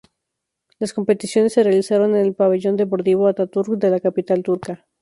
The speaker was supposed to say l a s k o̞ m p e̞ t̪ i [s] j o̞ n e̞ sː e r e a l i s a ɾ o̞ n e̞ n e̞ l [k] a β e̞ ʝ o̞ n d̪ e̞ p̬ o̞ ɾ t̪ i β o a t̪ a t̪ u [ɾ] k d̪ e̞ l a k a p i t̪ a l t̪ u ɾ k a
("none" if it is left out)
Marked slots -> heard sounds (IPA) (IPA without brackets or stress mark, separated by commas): s, p, ɾ